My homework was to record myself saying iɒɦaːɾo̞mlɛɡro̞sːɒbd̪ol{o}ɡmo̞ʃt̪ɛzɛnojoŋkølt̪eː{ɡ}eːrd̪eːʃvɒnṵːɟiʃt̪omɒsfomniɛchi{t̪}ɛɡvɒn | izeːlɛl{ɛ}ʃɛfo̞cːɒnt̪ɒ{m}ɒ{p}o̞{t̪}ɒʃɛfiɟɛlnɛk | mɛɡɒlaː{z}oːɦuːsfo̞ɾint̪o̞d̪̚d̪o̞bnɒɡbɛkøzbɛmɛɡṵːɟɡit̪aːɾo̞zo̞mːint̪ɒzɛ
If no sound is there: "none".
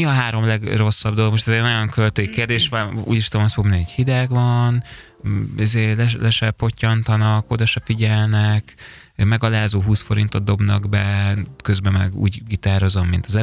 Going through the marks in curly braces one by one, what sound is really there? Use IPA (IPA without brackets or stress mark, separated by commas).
o, k, d̪, ɛ, n, k, d̪, z